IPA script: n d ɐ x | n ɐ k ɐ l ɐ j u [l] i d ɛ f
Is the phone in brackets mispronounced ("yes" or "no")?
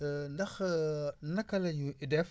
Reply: yes